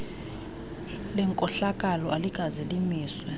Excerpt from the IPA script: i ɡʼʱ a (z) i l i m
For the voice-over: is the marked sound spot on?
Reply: yes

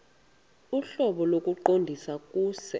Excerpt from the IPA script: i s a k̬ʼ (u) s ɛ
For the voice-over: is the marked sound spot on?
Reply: no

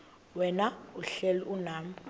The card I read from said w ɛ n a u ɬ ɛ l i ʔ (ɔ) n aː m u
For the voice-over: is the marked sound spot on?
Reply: no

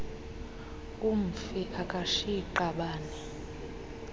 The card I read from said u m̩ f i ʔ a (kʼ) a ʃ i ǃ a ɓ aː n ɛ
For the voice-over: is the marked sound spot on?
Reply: yes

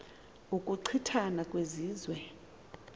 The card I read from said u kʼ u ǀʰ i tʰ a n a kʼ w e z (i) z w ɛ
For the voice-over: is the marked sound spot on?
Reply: no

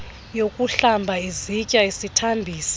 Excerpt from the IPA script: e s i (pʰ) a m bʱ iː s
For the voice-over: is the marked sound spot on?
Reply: no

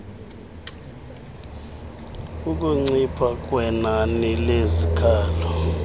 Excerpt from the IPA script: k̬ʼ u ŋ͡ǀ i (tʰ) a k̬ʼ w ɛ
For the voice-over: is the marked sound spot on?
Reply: no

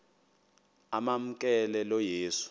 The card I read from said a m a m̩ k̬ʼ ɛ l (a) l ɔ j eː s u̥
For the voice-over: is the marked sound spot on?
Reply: no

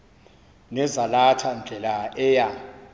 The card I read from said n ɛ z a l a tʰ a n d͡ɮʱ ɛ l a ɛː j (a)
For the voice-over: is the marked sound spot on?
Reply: yes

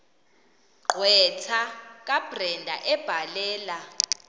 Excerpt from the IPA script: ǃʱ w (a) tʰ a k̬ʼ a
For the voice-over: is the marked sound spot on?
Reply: no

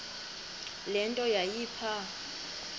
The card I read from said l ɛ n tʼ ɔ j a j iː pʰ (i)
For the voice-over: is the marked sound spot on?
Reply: no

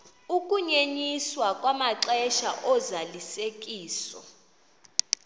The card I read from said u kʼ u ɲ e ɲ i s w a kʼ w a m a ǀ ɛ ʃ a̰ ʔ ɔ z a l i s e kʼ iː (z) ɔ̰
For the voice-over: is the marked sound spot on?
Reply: no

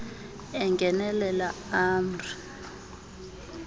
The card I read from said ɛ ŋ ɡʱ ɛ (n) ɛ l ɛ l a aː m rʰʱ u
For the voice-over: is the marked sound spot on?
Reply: yes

